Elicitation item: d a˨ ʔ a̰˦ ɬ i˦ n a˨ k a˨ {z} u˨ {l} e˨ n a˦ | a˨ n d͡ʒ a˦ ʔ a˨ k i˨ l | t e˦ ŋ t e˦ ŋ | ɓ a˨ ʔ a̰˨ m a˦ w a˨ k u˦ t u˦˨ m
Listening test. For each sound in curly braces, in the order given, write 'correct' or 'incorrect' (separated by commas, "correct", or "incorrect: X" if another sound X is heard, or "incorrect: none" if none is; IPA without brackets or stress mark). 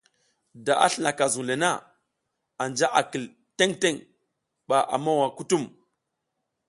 correct, correct